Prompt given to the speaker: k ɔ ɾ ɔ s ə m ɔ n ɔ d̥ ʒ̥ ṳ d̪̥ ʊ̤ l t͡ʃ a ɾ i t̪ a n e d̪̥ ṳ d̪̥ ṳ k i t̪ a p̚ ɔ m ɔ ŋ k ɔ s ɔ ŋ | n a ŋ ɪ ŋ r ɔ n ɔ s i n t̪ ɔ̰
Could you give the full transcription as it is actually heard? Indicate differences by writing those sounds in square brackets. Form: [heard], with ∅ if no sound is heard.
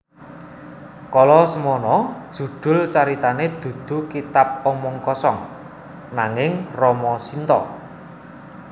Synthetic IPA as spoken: k ɔ [l] ɔ s ə m ɔ n ɔ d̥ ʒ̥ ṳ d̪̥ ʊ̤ l t͡ʃ a ɾ i t̪ a n e d̪̥ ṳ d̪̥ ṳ k i t̪ a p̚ ɔ m ɔ ŋ k ɔ s ɔ ŋ | n a ŋ ɪ ŋ r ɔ [m] ɔ s i n t̪ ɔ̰